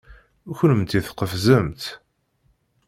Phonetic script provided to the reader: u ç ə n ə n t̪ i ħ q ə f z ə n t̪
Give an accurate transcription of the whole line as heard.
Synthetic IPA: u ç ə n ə m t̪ i θ q ə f z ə m t̪

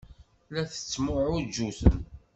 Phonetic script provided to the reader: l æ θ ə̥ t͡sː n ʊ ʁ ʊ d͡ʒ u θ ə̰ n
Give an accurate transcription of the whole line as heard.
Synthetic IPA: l æ θ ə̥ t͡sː m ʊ ʕ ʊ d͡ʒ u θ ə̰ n

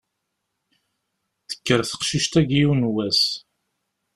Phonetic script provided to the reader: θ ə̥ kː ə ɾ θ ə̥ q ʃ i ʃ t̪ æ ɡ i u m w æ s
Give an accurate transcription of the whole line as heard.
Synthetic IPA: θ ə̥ kː ə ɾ θ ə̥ q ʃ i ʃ t̪ æ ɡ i u n w æ s

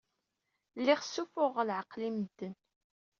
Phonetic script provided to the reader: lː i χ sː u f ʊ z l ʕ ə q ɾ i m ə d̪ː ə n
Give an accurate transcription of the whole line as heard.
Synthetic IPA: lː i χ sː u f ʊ ʁ l ʕ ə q l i m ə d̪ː ə n

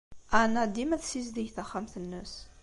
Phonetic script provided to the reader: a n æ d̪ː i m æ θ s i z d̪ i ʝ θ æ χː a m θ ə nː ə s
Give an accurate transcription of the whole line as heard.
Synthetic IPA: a n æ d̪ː i m æ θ s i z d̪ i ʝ θ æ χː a m θ ə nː ə s

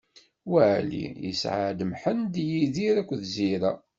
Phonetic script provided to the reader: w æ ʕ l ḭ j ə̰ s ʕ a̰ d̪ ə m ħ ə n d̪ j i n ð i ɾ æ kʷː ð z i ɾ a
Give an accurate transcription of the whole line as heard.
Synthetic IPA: w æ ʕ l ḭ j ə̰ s ʕ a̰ d̪ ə m ħ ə n d̪ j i ð i ɾ æ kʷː ð z i ɾ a

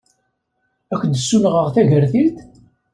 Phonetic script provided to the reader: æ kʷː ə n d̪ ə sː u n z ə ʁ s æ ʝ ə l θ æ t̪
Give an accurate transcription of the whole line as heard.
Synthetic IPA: æ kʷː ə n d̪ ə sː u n ʁ ə ʁ θ æ ʝ ə ɾ θ i t̪

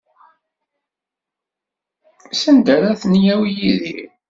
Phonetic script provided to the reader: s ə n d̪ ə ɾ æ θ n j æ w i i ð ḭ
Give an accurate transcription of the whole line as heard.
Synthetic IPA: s ə n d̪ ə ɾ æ θ n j æ w j i ð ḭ

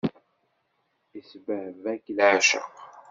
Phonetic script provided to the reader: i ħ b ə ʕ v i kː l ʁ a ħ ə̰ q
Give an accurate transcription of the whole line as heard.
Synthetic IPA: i s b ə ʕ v æ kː l ʕ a ʃ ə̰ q

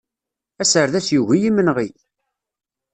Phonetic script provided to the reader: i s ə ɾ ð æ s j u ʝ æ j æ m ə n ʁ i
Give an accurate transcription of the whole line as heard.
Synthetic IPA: æ s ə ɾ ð æ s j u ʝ i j i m ə n ʁ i

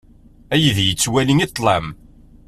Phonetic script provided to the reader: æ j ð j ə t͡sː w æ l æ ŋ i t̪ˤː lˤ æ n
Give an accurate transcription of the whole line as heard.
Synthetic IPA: æ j ð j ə t͡sː w æ l i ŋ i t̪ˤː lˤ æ m

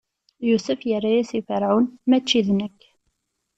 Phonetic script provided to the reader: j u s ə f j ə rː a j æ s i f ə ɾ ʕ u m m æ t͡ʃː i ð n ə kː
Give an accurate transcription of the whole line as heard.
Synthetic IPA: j u s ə f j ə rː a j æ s i f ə ɾ ʕ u n m æ t͡ʃː i ð n ə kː

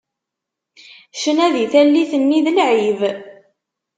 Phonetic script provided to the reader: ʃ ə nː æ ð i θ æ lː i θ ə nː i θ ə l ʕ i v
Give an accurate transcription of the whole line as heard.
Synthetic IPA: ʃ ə n æ ð i θ æ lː i θ ə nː i ð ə l ʕ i v

